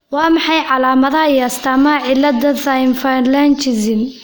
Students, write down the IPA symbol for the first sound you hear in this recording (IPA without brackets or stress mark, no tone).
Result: w